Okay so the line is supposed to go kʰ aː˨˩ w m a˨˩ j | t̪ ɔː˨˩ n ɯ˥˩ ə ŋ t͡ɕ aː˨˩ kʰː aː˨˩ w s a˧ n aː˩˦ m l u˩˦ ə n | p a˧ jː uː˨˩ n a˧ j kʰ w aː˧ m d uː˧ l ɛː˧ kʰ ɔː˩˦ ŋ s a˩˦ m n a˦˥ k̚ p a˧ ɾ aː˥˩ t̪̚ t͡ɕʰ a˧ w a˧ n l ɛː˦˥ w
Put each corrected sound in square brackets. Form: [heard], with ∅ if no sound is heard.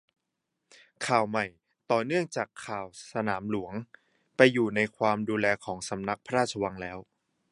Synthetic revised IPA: kʰ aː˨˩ w m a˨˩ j | t̪ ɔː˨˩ n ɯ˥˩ ə ŋ t͡ɕ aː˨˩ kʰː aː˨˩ w s a˧ n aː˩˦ m l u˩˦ ə [ŋ] | p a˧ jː uː˨˩ n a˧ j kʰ w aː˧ m d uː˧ l ɛː˧ kʰ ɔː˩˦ ŋ s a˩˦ m n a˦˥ k̚ [pʰ] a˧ ɾ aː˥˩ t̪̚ t͡ɕʰ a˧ w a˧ [ŋ] l ɛː˦˥ w